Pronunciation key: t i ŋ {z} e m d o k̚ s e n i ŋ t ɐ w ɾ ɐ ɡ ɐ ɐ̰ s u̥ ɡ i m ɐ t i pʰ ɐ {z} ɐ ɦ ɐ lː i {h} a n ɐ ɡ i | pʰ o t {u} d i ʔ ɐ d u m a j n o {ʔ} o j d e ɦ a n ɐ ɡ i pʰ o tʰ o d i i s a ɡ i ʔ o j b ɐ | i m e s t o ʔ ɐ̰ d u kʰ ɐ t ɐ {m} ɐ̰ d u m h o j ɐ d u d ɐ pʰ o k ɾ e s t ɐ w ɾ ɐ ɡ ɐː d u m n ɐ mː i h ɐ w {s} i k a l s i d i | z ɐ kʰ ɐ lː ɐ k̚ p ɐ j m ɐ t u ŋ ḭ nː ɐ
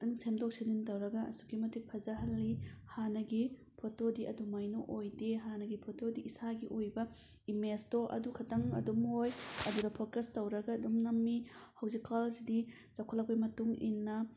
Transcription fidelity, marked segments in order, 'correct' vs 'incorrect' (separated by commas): incorrect, correct, correct, incorrect, correct, incorrect, incorrect